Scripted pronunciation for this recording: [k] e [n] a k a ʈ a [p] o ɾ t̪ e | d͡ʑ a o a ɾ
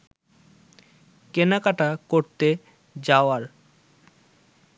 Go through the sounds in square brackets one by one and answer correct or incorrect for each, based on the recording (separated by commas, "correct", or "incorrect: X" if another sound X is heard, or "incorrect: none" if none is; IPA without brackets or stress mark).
correct, correct, incorrect: k